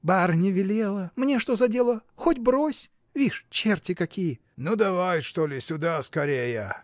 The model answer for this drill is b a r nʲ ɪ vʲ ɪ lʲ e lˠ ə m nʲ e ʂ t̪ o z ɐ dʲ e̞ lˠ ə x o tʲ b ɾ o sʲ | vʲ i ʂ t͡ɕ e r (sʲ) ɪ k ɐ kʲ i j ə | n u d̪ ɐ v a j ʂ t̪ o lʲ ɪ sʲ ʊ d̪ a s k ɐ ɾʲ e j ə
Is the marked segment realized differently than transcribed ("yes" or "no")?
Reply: yes